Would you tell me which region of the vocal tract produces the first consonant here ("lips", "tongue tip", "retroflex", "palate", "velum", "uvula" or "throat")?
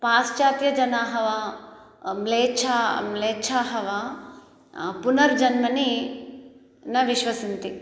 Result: lips